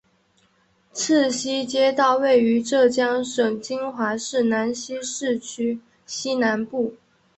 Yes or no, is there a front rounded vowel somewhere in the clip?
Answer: yes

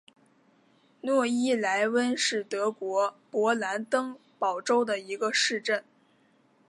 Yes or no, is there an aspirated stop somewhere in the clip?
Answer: no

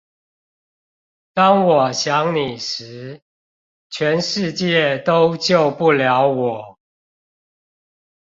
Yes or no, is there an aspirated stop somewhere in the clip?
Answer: yes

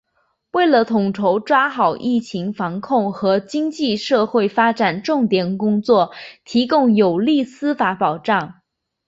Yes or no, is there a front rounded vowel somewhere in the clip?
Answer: no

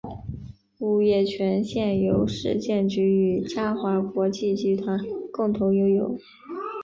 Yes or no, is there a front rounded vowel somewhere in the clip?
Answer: yes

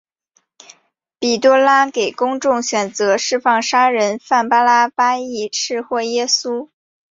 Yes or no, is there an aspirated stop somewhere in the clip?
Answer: no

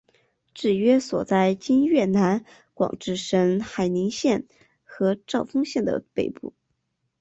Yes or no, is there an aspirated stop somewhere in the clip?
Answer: no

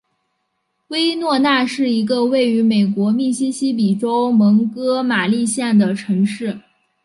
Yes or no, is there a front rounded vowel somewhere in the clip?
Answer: yes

